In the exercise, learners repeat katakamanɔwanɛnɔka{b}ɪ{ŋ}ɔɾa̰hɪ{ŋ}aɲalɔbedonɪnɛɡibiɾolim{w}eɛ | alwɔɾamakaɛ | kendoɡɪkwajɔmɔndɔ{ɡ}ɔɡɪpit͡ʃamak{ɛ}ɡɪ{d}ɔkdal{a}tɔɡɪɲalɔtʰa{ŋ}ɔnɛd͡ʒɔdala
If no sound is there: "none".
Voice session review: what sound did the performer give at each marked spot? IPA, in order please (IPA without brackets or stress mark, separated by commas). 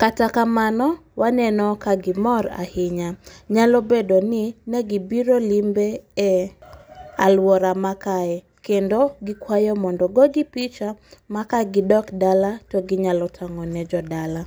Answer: ɡ, m, ɲ, b, ɡ, a, d, a, ŋ